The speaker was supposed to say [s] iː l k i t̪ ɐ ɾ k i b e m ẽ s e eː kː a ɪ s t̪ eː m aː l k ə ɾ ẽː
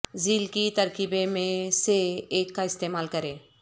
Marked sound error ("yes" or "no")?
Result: yes